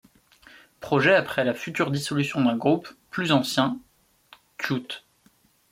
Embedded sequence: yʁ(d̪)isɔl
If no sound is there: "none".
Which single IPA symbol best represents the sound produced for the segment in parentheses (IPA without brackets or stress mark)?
d̪